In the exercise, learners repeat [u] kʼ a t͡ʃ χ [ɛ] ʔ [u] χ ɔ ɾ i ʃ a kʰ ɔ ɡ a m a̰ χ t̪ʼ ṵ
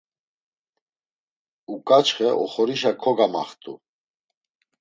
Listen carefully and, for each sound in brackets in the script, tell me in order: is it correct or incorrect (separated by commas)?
correct, correct, incorrect